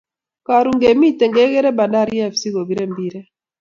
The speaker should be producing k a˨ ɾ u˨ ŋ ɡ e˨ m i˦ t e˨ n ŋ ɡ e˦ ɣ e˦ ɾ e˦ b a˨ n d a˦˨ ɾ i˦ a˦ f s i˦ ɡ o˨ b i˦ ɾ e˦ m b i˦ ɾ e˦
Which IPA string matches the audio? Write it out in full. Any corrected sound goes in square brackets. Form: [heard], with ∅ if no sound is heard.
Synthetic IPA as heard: k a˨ ɾ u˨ ŋ ɡ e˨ m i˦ t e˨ [∅] ŋ ɡ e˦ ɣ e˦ ɾ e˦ b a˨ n d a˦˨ ɾ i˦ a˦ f s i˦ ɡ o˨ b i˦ ɾ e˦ m b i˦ ɾ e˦